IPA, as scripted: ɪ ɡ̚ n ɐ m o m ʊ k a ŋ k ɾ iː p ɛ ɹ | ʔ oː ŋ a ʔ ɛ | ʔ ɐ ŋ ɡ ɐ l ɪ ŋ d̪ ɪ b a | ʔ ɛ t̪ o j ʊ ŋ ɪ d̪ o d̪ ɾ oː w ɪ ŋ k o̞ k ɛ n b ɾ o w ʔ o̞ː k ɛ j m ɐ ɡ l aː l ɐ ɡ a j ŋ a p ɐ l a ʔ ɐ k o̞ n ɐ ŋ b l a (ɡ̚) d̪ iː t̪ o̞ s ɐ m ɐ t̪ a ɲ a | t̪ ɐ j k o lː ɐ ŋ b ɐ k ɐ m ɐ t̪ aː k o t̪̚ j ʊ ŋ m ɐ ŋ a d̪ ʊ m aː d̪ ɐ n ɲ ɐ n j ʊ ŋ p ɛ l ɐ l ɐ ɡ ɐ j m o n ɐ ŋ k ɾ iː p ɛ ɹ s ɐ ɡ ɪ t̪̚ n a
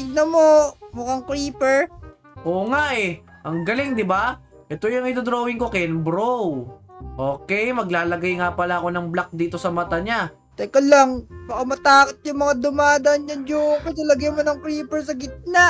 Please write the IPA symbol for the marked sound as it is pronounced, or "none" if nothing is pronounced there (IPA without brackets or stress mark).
k̚